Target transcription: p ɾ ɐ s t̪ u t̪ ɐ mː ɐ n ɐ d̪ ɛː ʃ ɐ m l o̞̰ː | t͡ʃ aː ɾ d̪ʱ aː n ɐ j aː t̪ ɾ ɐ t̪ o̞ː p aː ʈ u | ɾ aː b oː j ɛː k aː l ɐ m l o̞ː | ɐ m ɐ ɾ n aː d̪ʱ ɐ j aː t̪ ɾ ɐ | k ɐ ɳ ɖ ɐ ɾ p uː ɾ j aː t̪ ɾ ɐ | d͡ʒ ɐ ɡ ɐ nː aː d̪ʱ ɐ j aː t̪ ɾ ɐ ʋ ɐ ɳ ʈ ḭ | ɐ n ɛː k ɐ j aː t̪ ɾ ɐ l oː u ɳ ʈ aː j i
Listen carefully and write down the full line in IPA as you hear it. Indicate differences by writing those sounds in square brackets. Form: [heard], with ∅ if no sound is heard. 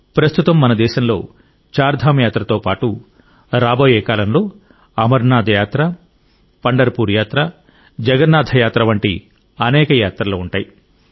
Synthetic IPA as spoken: p ɾ ɐ s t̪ u t̪ ɐ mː ɐ n ɐ d̪ ɛː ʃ ɐ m l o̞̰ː | t͡ʃ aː ɾ d̪ʱ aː [m] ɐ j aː t̪ ɾ ɐ t̪ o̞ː p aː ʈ u | ɾ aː b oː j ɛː k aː l ɐ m l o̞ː | ɐ m ɐ ɾ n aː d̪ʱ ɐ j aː t̪ ɾ ɐ | [p] ɐ ɳ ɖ ɐ ɾ p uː ɾ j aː t̪ ɾ ɐ | d͡ʒ ɐ ɡ ɐ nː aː d̪ʱ ɐ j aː t̪ ɾ ɐ ʋ ɐ ɳ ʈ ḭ | ɐ n ɛː k ɐ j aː t̪ ɾ ɐ l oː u ɳ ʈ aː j i